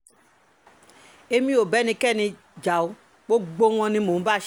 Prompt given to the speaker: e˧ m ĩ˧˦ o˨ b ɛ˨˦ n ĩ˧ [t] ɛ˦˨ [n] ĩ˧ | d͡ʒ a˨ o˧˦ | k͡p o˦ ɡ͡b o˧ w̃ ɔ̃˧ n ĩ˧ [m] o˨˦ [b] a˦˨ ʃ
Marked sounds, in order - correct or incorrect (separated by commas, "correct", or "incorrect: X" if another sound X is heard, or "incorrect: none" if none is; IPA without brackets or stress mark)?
incorrect: k, correct, correct, correct